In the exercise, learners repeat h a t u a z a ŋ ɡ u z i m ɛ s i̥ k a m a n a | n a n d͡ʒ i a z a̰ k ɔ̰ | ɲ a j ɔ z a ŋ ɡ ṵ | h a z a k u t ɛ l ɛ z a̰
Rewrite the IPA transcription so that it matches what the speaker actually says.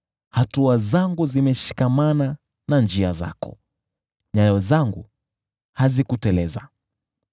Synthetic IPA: h a t u a z a ŋ ɡ u z i m ɛ ʃ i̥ k a m a n a | n a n d͡ʒ i a z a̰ k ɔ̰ | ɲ a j ɔ z a ŋ ɡ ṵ | h a z i k u t ɛ l ɛ z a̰